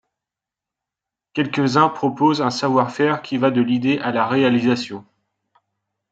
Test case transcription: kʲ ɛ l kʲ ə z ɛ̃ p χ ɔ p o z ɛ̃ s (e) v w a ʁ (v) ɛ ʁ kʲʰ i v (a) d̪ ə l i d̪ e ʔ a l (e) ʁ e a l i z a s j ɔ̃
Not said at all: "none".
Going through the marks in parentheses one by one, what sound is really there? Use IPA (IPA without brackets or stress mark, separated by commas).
a, f, a, a